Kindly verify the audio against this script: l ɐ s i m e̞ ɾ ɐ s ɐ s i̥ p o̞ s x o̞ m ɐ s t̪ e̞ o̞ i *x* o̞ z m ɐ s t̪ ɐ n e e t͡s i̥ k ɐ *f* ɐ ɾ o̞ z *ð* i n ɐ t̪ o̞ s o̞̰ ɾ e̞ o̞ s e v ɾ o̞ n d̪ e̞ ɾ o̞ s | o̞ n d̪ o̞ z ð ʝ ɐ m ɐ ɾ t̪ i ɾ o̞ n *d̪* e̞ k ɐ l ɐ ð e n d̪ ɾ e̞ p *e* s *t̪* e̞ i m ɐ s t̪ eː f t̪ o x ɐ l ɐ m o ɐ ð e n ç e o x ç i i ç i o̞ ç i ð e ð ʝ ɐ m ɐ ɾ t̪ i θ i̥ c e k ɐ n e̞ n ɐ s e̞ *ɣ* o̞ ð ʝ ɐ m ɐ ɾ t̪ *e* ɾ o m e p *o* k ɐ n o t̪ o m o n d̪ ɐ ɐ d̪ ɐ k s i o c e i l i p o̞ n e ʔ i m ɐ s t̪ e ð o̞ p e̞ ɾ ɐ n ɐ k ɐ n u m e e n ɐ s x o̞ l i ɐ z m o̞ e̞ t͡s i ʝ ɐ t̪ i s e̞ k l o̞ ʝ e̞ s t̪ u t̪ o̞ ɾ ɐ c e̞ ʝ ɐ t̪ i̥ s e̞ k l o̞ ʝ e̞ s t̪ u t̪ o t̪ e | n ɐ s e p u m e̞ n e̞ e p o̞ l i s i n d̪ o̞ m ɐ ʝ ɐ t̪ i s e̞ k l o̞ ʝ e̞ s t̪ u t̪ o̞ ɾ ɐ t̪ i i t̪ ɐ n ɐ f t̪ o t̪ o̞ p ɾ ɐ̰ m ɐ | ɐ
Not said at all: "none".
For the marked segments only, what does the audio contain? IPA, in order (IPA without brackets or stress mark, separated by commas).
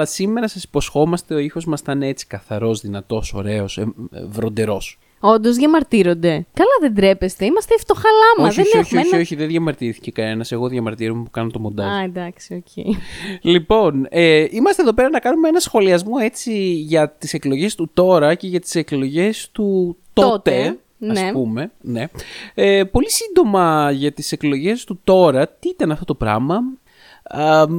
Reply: x, θ, ð, d̪, e, t̪, ɣ, i, u